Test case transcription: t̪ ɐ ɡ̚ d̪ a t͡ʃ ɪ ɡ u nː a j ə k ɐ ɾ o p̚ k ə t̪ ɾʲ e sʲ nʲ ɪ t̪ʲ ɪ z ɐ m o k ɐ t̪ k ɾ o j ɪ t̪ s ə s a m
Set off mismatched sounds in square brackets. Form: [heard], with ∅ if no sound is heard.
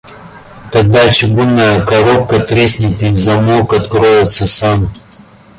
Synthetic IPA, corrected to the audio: t̪ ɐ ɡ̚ d̪ a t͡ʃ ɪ ɡ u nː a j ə k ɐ ɾ o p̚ k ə t̪ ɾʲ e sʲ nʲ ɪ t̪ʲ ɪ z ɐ m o k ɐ t̪ k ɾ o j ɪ t̪ s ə s a m